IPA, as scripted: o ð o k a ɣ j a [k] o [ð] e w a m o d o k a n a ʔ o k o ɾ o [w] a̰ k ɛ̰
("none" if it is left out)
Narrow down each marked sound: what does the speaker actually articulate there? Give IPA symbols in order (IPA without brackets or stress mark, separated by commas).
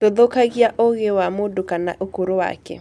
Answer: ʔ, ɣ, w